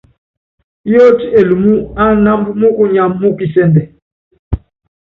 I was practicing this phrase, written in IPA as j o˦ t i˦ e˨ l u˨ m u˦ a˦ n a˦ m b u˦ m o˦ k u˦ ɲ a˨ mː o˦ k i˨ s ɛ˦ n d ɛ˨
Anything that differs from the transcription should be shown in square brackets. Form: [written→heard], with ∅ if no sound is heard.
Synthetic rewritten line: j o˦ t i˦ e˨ l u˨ m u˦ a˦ n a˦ m b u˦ m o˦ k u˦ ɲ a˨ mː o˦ k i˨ s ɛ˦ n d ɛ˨